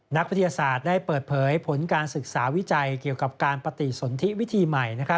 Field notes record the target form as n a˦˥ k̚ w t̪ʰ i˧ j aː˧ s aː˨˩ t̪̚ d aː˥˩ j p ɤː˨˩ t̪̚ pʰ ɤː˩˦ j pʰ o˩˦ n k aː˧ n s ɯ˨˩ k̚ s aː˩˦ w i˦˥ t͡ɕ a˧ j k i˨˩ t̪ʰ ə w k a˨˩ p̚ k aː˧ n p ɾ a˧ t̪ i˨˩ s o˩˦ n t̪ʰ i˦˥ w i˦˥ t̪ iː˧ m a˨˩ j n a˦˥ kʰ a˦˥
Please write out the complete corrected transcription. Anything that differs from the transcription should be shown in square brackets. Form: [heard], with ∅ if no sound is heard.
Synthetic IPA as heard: n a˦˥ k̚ w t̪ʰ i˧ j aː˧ s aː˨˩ t̪̚ d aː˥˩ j p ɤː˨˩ t̪̚ pʰ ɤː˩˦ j pʰ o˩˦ n k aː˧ n s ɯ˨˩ k̚ s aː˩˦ w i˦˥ t͡ɕ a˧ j k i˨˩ [∅] ə w k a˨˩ p̚ k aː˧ n p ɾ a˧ t̪ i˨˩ s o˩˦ n t̪ʰ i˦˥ w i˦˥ [t̪ʰ] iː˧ m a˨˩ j n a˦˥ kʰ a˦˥